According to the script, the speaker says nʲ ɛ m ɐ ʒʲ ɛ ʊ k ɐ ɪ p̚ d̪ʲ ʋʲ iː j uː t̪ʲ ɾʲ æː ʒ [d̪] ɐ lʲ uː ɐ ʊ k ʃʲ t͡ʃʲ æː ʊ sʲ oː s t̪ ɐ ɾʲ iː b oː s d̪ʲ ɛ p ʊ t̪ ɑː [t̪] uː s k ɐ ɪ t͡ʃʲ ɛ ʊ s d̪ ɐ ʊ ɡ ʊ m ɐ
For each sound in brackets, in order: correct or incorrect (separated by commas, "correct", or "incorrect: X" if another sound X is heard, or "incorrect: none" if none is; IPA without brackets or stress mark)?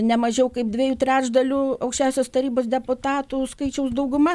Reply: correct, correct